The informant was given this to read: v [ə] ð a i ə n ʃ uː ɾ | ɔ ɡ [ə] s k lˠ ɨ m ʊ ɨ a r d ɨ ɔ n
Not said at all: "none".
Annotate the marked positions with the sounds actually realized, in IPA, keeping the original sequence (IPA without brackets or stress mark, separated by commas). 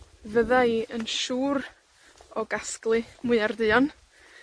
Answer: ə, a